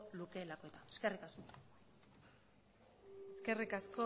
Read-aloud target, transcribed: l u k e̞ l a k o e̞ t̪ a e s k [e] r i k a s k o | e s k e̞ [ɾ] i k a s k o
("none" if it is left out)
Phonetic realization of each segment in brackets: e, r

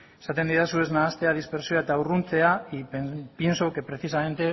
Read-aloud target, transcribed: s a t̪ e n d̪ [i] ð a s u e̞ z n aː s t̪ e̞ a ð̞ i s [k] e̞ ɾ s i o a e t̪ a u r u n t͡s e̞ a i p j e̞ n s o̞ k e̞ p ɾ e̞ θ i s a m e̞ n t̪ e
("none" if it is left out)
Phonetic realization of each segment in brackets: i, p

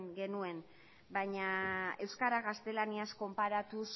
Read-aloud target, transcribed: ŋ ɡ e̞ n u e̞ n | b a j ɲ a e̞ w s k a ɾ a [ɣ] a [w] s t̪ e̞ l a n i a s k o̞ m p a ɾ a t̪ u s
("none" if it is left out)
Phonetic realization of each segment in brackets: ɣ, none

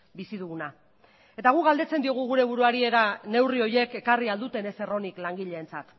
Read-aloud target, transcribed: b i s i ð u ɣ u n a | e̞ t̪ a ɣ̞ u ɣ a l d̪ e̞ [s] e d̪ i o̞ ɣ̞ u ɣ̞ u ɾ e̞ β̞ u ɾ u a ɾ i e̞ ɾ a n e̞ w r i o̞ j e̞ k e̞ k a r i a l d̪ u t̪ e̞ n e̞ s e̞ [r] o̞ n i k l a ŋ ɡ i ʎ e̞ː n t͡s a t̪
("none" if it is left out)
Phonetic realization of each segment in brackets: t͡s, r

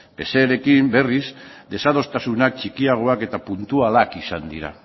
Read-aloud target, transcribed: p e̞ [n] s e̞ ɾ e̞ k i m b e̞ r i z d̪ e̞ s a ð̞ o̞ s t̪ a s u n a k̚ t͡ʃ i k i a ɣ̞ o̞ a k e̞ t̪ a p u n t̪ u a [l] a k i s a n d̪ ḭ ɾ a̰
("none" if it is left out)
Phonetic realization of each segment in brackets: none, l

